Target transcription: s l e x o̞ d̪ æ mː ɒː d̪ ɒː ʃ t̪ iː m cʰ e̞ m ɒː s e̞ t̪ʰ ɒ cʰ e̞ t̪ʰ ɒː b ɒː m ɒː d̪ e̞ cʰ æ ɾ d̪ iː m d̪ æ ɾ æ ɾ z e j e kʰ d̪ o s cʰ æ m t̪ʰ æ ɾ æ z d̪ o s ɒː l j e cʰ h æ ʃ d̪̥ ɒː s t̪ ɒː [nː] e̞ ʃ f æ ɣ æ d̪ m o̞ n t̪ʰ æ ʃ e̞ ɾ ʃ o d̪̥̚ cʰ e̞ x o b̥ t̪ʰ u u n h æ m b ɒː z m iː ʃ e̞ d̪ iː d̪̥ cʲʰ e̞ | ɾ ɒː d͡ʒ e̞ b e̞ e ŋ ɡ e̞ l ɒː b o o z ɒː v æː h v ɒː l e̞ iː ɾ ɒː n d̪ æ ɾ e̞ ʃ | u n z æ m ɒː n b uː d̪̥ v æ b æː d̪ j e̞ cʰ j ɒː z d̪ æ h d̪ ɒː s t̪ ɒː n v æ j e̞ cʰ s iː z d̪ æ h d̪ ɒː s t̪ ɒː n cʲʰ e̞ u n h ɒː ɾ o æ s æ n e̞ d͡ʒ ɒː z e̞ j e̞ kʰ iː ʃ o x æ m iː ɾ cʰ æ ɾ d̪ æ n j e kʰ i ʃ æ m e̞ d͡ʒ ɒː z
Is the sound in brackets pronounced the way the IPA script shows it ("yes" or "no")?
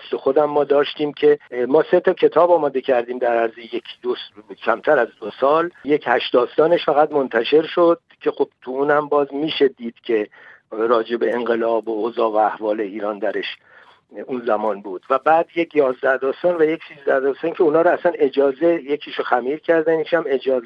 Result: no